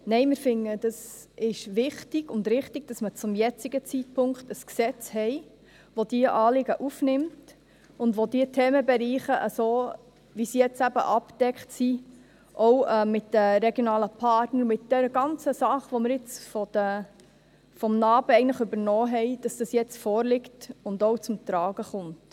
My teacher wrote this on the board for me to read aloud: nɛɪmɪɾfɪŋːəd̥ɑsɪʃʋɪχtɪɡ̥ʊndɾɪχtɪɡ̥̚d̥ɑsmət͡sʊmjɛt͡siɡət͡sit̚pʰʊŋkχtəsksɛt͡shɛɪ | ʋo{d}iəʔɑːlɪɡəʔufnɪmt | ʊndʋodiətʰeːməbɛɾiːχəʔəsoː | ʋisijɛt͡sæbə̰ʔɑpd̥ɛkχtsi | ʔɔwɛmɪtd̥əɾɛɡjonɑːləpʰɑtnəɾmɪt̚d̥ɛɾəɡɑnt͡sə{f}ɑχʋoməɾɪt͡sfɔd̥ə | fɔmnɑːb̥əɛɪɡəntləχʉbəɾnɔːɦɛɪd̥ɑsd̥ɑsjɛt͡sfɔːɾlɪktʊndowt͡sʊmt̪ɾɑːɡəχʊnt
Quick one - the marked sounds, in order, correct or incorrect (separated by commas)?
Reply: correct, incorrect